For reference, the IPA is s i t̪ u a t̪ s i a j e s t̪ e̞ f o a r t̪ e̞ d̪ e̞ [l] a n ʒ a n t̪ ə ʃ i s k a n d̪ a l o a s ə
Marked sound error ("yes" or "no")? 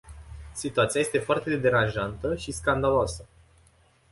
yes